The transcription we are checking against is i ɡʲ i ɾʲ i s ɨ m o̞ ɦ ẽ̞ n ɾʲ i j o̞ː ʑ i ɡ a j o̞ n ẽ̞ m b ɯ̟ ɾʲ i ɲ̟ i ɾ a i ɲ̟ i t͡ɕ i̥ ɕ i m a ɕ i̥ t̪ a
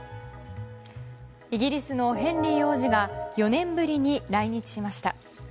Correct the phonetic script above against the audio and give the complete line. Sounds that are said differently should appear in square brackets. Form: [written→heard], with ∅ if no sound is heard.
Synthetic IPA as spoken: i ɡʲ i ɾʲ i s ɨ [m→n] o̞ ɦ ẽ̞ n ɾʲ i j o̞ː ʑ i ɡ a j o̞ n ẽ̞ m b ɯ̟ ɾʲ i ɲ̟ i ɾ a i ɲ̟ i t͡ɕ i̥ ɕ i m a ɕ i̥ t̪ a